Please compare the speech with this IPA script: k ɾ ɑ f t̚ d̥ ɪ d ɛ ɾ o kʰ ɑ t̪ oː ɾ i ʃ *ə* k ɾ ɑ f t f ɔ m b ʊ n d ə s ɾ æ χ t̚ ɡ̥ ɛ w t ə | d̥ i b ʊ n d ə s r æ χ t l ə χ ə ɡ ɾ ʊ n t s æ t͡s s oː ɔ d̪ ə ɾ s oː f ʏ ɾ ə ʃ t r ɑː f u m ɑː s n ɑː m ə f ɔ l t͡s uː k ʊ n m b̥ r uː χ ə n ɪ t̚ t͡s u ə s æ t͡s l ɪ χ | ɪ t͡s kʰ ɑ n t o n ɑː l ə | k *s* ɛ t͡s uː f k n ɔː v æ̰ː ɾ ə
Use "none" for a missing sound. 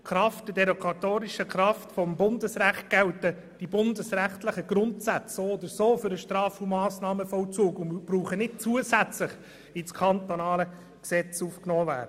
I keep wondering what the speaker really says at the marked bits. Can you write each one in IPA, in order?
ə, s

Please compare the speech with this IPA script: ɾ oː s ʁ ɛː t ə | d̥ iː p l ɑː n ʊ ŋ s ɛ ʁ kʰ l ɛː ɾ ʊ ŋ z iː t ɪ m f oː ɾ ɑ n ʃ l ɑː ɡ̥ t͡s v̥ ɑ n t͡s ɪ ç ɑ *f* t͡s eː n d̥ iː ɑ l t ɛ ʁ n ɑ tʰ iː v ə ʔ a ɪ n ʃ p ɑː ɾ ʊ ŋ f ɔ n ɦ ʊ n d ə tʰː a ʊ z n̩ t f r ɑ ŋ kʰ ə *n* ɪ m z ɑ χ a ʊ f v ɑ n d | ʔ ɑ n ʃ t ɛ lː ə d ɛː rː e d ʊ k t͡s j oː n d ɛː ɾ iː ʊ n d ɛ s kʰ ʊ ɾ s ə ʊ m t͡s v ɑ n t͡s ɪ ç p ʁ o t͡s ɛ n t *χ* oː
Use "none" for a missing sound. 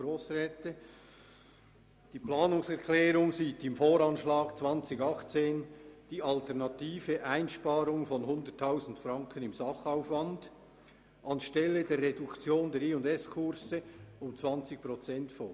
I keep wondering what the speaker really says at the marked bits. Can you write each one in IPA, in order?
χ, n, f

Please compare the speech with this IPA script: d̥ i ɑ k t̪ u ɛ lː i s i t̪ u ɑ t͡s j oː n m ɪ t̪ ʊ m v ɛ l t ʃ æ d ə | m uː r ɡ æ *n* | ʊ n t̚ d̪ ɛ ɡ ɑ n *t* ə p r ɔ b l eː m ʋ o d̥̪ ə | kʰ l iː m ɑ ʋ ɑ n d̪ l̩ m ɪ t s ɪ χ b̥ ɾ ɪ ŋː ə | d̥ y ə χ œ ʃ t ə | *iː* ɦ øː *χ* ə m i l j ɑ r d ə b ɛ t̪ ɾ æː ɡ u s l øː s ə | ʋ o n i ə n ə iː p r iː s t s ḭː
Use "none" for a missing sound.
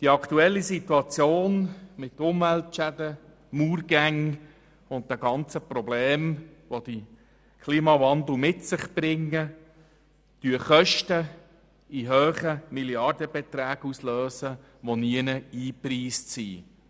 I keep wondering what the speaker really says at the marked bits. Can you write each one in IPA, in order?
ŋ, t͡s, i, χ

